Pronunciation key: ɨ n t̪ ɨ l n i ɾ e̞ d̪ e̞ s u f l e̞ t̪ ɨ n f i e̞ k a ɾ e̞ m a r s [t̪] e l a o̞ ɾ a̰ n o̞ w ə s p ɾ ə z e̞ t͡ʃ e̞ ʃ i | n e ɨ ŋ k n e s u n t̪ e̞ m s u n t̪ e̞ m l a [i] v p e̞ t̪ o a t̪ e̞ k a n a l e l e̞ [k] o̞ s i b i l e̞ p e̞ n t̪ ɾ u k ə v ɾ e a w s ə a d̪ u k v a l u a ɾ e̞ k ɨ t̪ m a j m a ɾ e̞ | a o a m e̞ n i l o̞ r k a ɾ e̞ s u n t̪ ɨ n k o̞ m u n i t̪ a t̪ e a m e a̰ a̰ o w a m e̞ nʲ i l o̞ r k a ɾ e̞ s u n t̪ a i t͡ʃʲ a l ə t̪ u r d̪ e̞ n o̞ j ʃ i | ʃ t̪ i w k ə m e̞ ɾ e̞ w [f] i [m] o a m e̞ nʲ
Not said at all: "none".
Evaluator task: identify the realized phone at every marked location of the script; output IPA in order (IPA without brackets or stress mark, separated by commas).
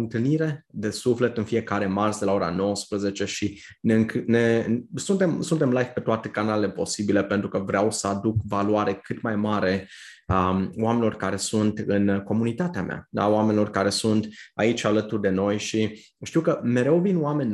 d̪, j, p, v, n